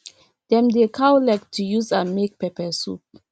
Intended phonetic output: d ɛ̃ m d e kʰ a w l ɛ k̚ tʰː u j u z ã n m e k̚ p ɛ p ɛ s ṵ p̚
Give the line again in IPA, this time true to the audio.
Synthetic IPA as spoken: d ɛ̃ m d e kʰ a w l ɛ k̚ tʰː u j u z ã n m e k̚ p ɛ p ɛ s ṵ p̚